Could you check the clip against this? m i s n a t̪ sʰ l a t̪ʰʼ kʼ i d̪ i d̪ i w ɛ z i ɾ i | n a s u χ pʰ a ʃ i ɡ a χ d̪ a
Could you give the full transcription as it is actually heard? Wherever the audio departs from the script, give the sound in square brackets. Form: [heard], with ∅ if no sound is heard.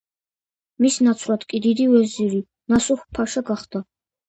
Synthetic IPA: m i s n a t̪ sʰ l a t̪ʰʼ kʼ i d̪ i d̪ i w ɛ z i ɾ i | n a s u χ pʰ a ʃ [a] ɡ a χ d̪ a